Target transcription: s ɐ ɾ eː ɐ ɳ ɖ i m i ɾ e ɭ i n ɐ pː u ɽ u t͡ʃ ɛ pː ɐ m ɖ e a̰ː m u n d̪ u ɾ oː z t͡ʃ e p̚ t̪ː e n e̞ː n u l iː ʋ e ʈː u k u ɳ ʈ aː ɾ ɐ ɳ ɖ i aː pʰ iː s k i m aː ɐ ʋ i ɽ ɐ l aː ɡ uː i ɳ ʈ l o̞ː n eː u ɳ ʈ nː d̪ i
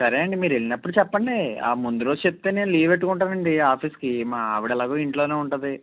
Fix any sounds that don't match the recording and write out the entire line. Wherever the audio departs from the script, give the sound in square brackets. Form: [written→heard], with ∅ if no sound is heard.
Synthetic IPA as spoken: s ɐ ɾ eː ɐ ɳ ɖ i m [i→iː] ɾ e ɭ i n ɐ pː u ɽ u t͡ʃ ɛ pː ɐ [m→ɳ] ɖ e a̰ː m u n d̪ u ɾ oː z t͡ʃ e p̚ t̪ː e n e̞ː n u l iː ʋ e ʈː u k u ɳ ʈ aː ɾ ɐ ɳ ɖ i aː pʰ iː s k i m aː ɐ ʋ i ɽ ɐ l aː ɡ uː i ɳ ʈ l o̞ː n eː u ɳ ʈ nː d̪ i